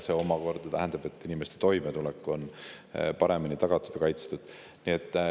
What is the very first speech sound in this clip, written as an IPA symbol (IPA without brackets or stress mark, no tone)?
s